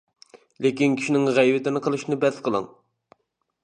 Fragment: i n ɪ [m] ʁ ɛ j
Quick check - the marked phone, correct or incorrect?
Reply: incorrect